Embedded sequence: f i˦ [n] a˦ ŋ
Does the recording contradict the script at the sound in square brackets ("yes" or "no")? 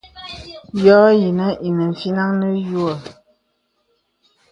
no